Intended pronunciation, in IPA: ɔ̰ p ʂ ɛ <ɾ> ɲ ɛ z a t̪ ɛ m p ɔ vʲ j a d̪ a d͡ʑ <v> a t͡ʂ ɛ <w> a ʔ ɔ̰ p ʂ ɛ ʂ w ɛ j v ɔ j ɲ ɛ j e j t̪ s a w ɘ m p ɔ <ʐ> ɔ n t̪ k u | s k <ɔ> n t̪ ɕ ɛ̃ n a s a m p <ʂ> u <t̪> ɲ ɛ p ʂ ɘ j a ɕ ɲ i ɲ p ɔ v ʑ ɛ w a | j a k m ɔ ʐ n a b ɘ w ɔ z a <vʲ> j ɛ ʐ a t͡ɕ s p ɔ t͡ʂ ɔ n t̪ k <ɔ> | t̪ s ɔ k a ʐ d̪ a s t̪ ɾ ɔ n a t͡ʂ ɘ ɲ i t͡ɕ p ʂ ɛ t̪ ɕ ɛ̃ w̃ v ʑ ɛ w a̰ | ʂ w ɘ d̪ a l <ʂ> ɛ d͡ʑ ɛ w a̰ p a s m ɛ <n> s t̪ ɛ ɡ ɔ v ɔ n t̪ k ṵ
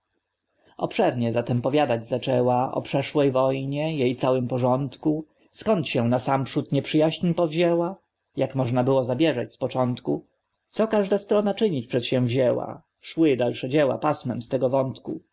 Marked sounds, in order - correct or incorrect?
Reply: correct, incorrect: z, correct, correct, correct, correct, correct, incorrect: bʲ, incorrect: u, correct, incorrect: m

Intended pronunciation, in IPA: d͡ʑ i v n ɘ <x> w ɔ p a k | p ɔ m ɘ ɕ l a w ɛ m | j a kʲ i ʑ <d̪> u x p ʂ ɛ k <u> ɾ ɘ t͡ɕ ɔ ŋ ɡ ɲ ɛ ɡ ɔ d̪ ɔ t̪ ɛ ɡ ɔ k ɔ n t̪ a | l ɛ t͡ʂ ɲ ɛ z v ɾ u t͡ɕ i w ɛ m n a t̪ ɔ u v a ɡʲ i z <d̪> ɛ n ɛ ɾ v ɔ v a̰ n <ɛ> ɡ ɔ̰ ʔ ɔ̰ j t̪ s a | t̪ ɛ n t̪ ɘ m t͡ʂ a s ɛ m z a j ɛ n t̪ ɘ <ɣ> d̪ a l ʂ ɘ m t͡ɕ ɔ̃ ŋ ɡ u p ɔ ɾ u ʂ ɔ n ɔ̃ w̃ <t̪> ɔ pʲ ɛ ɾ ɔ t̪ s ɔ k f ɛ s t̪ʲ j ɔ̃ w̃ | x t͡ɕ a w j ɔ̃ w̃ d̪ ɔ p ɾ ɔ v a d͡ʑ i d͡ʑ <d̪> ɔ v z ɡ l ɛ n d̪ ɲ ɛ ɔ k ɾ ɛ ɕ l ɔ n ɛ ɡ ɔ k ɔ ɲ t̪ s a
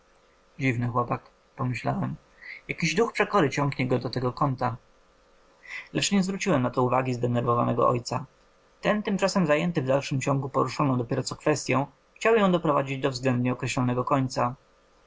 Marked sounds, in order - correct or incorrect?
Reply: correct, correct, incorrect: ɔ, correct, correct, incorrect: v, incorrect: d̪, correct

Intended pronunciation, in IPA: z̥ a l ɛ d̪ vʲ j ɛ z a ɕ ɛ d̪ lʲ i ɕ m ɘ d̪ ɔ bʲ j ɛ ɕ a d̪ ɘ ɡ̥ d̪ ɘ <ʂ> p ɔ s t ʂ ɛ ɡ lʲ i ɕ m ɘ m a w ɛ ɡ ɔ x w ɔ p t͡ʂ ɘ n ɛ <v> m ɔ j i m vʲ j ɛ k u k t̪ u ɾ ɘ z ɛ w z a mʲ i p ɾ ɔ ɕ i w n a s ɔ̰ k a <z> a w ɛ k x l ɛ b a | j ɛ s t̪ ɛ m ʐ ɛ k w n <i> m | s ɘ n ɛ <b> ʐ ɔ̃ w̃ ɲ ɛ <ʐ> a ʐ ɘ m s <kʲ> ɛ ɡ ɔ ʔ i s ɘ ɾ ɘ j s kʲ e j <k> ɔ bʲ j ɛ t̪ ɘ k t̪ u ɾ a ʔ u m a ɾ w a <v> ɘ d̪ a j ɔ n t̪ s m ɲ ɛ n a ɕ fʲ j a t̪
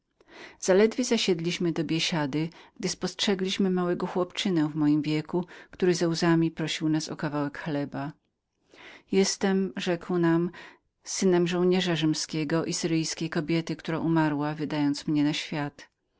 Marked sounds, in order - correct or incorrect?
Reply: incorrect: s, correct, incorrect: v, incorrect: a, incorrect: m, correct, correct, correct, correct

